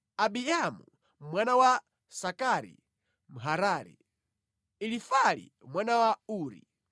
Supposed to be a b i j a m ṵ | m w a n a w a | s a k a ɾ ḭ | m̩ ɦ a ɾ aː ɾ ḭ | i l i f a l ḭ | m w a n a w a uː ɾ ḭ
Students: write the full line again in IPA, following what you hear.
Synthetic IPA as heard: a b i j a m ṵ | m w a n a w a | s a k a ɾ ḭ | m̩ ɦ a ɾ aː ɾ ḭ | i l i f a l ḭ | m w a n a w a uː ɾ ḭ

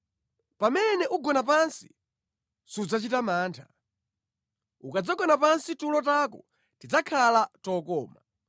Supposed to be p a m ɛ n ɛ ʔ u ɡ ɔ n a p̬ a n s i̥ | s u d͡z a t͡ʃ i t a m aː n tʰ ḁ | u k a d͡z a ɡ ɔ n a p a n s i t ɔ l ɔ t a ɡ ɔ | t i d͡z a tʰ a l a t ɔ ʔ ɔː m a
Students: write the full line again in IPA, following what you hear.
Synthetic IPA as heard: p a m ɛ n ɛ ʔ u ɡ ɔ n a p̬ a n s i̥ | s u d͡z a t͡ʃ i t a m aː n tʰ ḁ | u k a d͡z a ɡ ɔ n a p a n s i t u l ɔ t a k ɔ | t i d͡z a kʰ a l a t ɔ k ɔː m a

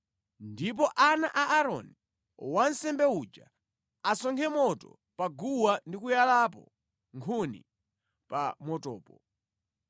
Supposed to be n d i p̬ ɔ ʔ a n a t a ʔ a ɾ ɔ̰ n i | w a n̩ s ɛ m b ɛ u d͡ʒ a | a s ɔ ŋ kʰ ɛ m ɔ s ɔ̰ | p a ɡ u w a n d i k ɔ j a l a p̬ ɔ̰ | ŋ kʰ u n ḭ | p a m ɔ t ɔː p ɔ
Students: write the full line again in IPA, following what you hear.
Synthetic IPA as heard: n d i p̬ ɔ ʔ a n a ʔ a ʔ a ɾ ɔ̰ n i | w a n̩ s ɛ m b ɛ u d͡ʒ a | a s ɔ ŋ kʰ ɛ m ɔ t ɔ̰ | p a ɡ u w a n d i k u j a l a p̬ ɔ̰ | ŋ kʰ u n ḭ | p a m ɔ t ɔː p ɔ

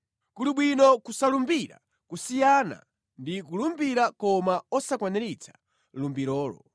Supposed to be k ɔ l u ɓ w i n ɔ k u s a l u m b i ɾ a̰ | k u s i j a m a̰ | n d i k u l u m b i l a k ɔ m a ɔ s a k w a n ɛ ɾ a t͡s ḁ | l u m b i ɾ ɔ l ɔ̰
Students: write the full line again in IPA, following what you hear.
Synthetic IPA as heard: k u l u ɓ w i n ɔ k u s a l u m b i ɾ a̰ | k u s i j a n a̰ | n d i k u l u m b i ɾ a k ɔ m a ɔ s a k w a n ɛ ɾ i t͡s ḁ | l u m b i ɾ ɔː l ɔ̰

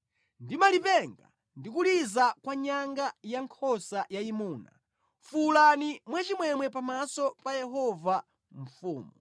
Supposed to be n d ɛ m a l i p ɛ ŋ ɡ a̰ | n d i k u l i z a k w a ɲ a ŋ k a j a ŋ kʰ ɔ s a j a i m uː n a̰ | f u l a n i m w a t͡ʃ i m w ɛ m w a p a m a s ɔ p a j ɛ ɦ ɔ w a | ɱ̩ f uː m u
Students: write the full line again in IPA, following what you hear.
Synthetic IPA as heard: n d i m a l i p ɛ ŋ ɡ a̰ | n d i k u l i z a k w a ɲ a ŋ ɡ a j a ŋ kʰ ɔ s a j a i m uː n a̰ | f u l a n i m w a t͡ʃ i m w ɛ m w ɛ p a m a s ɔ p a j ɛ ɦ ɔ v a | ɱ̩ f uː m u

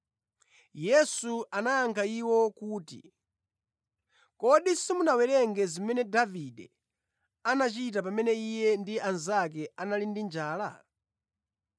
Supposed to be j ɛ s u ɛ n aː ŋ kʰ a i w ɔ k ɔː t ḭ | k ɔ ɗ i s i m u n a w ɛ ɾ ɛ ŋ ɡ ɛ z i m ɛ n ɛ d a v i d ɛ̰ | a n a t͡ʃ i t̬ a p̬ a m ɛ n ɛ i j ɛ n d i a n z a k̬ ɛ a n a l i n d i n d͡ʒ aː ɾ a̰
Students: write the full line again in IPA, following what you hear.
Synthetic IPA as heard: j ɛ s u a n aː ŋ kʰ a i w ɔ k uː t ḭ | k ɔ ɗ i s i m u n a w ɛ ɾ ɛ ŋ ɡ ɛ z i m ɛ n ɛ d a v i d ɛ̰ | a n a t͡ʃ i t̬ a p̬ a m ɛ n ɛ i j ɛ n d i a n z a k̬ ɛ a n a l i n d i n d͡ʒ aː l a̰

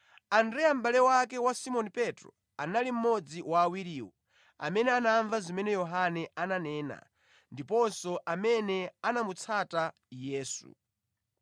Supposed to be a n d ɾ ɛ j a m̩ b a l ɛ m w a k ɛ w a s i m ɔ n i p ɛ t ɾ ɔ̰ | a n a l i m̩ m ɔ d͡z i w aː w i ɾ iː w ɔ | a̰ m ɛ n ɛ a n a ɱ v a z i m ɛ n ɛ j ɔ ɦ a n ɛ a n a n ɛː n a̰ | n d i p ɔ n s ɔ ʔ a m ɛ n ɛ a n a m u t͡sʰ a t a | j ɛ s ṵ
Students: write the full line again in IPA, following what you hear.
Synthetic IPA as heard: a n d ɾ ɛ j a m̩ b a l ɛ w a k ɛ w a s i m ɔ n i p ɛ t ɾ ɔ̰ | a n a l i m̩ m ɔ d͡z i w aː w i ɾ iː w ɔ | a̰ m ɛ n ɛ a n a ɱ v a z i m ɛ n ɛ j ɔ ɦ a n ɛ a n a n ɛː n a̰ | n d i p ɔ n s ɔ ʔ a m ɛ n ɛ a n a m u t͡sʰ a t a | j ɛː s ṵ

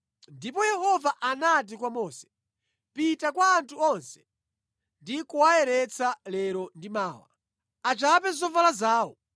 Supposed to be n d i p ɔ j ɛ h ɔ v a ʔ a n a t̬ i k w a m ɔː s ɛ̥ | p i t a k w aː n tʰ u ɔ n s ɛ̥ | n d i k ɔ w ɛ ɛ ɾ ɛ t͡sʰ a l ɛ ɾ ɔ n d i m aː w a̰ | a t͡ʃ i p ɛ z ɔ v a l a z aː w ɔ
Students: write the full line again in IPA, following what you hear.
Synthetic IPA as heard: n d i p ɔ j ɛ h ɔ v a ʔ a n a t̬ i k w a m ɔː s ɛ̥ | p i t a k w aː n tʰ u ɔ n s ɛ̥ | n d i k u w a ɛ ɾ ɛ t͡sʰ a l ɛ ɾ ɔ n d i m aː w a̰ | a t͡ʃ a p ɛ z ɔ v a l a z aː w ɔ

